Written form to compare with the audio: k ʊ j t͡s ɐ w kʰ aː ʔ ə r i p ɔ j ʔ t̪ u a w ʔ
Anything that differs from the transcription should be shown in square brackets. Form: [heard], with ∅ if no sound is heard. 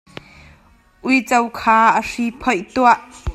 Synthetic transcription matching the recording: [ʔ] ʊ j t͡s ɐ w kʰ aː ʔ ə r i [pʰ] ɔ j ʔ t̪ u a [∅] ʔ